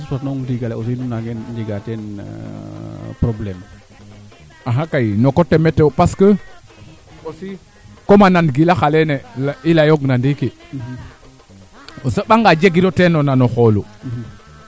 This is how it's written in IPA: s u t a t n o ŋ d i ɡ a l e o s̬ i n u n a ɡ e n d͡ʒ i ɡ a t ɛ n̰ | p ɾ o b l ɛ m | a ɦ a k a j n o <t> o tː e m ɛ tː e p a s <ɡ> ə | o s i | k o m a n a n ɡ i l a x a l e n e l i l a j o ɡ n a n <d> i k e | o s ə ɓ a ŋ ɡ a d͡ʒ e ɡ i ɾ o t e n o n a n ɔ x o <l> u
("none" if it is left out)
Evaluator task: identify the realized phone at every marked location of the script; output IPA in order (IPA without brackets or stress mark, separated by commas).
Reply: k, k, d, l